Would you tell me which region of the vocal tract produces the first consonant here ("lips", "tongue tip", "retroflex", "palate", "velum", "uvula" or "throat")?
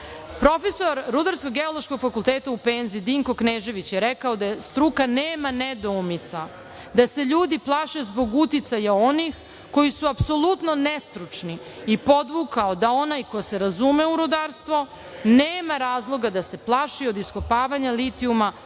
lips